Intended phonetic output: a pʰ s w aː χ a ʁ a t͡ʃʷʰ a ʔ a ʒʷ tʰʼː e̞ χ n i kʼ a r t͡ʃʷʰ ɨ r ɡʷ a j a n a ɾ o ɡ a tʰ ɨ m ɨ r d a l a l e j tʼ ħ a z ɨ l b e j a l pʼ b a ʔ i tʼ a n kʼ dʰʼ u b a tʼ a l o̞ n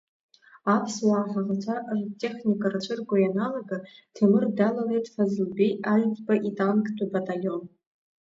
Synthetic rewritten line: a pʰ s w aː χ a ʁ a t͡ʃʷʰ a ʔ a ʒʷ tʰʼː e̞ χ n i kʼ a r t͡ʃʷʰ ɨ r ɡʷ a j a n a l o ɡ a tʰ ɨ m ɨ r d a l a l e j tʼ f a z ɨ l b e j a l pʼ b a ʔ i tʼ a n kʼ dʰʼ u b a tʼ a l o̞ n